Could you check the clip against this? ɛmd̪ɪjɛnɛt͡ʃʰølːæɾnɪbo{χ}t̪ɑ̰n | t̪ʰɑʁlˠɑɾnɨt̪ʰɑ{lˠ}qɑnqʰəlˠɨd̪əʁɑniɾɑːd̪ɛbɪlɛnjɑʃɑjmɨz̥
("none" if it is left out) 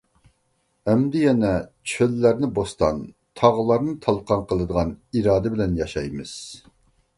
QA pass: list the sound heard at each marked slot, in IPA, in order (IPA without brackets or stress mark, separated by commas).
s, lˠ